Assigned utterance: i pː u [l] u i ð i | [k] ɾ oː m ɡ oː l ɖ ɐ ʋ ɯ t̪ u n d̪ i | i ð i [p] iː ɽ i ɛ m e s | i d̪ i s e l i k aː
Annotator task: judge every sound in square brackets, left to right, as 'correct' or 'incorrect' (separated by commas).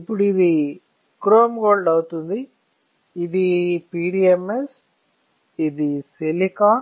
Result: incorrect, correct, correct